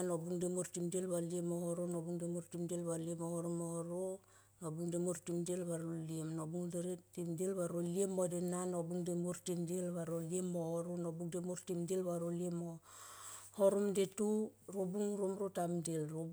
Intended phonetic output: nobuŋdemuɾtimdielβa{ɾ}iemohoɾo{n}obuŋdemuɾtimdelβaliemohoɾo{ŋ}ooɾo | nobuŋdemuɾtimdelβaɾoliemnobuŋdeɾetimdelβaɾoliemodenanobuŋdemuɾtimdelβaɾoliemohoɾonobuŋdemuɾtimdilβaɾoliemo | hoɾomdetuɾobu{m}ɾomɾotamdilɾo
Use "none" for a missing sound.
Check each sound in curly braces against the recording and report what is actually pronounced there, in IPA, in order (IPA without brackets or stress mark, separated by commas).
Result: l, n, m, ŋ